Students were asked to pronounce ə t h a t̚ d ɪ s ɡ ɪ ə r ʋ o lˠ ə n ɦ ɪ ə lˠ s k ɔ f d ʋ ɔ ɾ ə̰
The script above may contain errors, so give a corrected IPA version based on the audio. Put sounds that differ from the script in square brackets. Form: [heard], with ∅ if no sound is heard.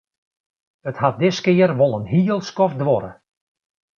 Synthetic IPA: ə t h a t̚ d ɪ s [k] ɪ ə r ʋ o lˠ ə n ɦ [i] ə lˠ s k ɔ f d ʋ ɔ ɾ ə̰